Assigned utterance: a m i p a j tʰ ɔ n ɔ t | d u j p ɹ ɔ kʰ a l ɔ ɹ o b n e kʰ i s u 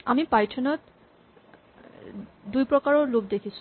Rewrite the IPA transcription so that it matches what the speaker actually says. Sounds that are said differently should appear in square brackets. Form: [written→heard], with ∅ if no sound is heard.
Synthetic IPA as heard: a m i p a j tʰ ɔ n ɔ t | d u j p ɹ ɔ [kʰ→k] a [l→ɹ] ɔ [ɹ→l] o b [n→d] e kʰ i s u

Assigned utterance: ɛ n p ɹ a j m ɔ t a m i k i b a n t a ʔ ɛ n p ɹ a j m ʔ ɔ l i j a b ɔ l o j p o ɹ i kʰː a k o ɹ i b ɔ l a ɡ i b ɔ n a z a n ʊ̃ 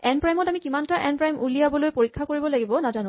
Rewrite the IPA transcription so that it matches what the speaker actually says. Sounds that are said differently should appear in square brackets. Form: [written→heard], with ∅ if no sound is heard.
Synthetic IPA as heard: ɛ n p ɹ a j m ɔ t a m i k i [b→m] a n t a ʔ ɛ n p ɹ a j m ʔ [ɔ→u] l i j a b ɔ l o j p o ɹ i kʰː a k o ɹ i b ɔ l a ɡ i b ɔ n a z a n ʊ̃

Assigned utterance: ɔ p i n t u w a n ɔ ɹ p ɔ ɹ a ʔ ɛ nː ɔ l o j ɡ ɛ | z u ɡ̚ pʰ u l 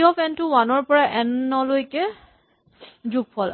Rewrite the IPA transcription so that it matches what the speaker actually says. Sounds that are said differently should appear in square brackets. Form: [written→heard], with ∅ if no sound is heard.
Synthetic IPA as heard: ɔ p [i→ɛ] n t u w a n ɔ ɹ p ɔ ɹ a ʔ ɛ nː ɔ l o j [ɡ→k] ɛ | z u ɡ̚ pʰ [u→ɔ] l

